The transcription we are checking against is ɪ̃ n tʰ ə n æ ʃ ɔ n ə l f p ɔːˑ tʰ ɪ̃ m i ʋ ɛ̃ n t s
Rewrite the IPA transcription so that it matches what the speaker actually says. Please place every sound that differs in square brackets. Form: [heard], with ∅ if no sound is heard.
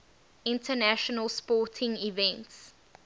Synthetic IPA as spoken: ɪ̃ n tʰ ə n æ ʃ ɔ n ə l [s] p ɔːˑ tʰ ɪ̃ [ŋ] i [v] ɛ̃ n t s